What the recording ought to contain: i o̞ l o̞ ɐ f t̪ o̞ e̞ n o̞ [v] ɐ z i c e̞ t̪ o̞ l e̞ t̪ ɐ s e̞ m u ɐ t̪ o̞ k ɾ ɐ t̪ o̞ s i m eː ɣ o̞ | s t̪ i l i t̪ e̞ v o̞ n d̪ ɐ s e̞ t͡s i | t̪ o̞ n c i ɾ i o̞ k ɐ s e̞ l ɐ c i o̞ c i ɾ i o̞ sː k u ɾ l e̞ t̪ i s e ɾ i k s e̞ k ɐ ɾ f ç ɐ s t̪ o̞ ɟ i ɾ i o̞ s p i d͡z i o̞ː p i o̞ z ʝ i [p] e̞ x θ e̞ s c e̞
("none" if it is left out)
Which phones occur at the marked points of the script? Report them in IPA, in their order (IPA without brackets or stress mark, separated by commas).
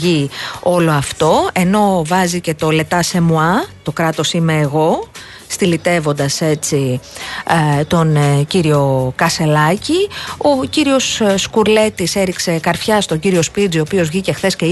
v, c